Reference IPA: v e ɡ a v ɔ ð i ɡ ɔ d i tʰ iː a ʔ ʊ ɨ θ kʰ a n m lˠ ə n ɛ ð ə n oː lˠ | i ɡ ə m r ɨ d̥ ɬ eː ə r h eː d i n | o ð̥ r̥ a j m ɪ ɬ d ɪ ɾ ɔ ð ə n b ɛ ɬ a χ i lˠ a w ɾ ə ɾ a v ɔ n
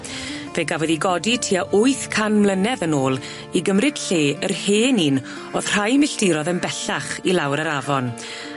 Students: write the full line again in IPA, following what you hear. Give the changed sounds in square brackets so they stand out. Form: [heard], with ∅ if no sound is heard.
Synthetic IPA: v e ɡ a v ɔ ð i ɡ ɔ d i tʰ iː a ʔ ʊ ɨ θ kʰ a n m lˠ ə n ɛ ð ə n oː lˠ | i ɡ ə m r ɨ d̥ ɬ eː ə r h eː [n] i n | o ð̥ r̥ a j m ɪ ɬ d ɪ ɾ ɔ ð ə n b ɛ ɬ a χ i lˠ a w ɾ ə ɾ a v ɔ n

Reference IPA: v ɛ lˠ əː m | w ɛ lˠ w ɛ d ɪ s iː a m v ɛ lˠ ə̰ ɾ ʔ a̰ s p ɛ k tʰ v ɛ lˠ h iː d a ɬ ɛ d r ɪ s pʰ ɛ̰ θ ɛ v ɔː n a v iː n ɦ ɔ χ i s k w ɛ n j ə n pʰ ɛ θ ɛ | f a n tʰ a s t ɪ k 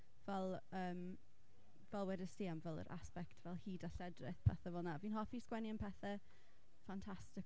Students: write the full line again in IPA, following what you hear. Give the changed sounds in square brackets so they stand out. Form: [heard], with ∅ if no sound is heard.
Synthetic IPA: v ɛ lˠ əː m | [v] ɛ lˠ w ɛ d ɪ s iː a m v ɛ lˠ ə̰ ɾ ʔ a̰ s p ɛ k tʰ v ɛ lˠ h iː d a ɬ ɛ d r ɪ [θ] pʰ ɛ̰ θ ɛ v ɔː n a v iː n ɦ ɔ [f] i s k w ɛ n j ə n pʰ ɛ θ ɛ | f a n tʰ a s t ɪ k

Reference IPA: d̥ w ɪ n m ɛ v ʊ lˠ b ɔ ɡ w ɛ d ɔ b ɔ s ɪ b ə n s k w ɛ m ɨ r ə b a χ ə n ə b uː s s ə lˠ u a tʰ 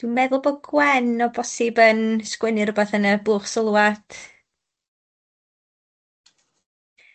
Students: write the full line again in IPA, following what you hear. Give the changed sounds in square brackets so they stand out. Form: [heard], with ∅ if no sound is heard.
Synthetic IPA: d̥ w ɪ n m ɛ [ð] ʊ lˠ b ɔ ɡ w ɛ [n] ɔ b ɔ s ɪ b ə n s k w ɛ [n] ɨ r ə b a [θ] ə n ə b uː [χ] s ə lˠ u a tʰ

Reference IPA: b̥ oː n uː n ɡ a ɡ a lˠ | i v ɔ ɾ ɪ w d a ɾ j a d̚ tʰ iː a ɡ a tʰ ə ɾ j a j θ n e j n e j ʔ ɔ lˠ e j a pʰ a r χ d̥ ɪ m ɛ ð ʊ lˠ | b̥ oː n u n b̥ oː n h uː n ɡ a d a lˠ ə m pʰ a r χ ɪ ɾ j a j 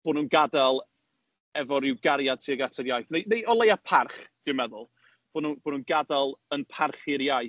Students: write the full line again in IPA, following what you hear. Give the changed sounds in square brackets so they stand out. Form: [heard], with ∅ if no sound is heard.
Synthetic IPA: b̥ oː n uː n ɡ a [d] a lˠ | [ɛ] v ɔ ɾ ɪ w [ɡ] a ɾ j a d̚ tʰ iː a ɡ a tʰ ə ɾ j a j θ n e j n e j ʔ ɔ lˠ e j a pʰ a r χ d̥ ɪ m ɛ ð ʊ lˠ | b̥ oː n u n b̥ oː n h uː n ɡ a d a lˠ ə [n] pʰ a r χ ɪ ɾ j a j

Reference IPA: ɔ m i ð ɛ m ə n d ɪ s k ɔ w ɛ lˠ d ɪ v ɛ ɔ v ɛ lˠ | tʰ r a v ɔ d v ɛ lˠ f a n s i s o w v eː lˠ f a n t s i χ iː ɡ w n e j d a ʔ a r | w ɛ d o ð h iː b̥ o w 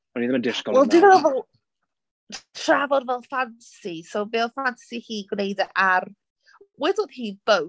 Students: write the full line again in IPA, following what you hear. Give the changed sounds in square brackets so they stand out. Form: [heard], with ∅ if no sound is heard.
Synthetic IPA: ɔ [n] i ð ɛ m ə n d ɪ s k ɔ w ɛ lˠ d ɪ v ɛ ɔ v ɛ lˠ | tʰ r a v ɔ d v ɛ lˠ f a n s i s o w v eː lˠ f a n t s i [h] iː ɡ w n e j d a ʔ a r | w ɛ d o ð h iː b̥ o w

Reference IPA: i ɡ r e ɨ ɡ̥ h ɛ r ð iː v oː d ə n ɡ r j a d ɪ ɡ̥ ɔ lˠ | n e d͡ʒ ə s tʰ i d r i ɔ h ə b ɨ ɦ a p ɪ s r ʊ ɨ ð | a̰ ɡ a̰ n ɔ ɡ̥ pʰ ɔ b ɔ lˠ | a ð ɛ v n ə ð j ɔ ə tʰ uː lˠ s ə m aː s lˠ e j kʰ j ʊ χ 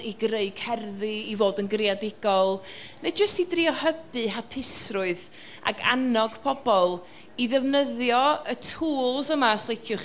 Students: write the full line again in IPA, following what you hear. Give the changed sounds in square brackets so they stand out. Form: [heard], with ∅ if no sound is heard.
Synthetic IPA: i ɡ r e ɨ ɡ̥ h ɛ r ð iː v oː d ə n ɡ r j a d ɪ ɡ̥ ɔ lˠ | n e d͡ʒ ə s [t] i d r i ɔ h ə b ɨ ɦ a [pʰ] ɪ s r ʊ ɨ ð | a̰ ɡ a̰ n ɔ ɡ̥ pʰ ɔ b ɔ lˠ | [i] ð ɛ v n ə ð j ɔ ə tʰ uː lˠ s ə m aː s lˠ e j kʰ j ʊ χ

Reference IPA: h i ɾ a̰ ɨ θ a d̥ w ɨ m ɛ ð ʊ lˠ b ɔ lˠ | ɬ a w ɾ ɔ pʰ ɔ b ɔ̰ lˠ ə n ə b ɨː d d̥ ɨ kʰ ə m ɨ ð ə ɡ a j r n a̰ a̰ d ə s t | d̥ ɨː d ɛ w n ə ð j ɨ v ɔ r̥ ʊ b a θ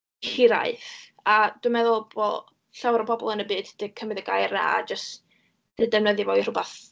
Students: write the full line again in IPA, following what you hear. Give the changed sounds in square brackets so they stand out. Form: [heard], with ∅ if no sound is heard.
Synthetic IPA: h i ɾ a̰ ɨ θ a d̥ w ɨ m ɛ ð ʊ lˠ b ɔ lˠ | ɬ a w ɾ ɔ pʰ ɔ b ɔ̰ lˠ ə n ə b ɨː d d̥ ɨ kʰ ə m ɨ ð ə ɡ a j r n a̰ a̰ [d͡ʒ] ə s t | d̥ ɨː d ɛ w n ə ð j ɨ v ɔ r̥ ʊ b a θ

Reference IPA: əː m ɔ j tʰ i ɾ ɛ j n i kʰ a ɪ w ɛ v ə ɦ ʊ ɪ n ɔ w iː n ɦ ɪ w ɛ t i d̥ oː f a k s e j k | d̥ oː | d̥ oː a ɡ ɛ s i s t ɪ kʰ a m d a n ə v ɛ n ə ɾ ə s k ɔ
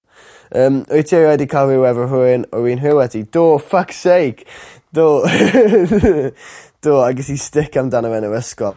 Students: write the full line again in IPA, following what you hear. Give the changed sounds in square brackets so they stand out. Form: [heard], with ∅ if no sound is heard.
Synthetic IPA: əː m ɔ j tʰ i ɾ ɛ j [d] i kʰ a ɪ w ɛ v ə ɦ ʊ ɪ n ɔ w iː n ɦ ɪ w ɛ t i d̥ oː f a k s e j k | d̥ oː | d̥ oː a ɡ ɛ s i s t ɪ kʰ a m d a n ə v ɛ n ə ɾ ə s k ɔ

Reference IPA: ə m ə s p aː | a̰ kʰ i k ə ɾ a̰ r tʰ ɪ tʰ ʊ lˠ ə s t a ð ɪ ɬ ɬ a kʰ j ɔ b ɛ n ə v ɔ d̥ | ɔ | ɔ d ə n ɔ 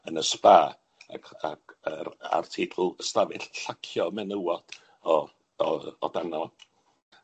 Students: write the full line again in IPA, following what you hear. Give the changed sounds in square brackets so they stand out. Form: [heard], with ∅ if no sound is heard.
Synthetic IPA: ə [n] ə s p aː | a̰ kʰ [a] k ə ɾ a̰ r tʰ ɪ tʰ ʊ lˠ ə s t a [v] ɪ ɬ ɬ a kʰ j ɔ [m] ɛ n ə [w] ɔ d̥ | ɔ | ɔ d [a] n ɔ

